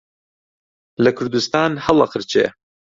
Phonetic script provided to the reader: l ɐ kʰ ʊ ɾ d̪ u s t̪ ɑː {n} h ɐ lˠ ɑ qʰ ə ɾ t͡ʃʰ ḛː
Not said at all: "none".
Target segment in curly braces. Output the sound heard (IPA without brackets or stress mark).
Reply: n